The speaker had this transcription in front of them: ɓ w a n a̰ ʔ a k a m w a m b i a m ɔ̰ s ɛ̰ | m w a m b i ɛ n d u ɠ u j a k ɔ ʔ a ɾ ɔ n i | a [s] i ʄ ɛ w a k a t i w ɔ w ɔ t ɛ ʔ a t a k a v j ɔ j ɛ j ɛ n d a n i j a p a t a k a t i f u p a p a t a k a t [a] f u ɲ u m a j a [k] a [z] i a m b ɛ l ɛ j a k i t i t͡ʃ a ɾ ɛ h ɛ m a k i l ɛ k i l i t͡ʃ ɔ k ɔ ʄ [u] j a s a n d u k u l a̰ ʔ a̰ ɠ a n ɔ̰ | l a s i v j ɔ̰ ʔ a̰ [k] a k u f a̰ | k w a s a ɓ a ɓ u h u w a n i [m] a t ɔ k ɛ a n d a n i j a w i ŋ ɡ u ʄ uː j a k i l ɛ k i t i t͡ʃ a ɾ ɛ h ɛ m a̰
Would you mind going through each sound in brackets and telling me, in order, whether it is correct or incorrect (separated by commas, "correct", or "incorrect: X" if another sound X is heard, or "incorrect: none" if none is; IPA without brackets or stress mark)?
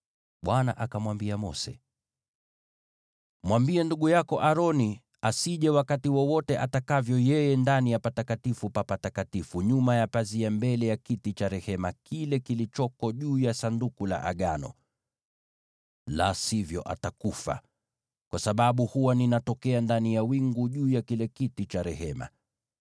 correct, incorrect: i, incorrect: p, correct, incorrect: uː, incorrect: t, incorrect: n